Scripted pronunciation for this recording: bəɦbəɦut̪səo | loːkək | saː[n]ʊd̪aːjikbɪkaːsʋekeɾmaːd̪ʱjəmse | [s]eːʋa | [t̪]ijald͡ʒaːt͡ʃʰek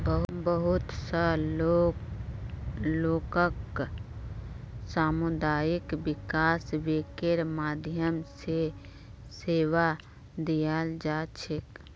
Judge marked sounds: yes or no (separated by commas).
no, yes, no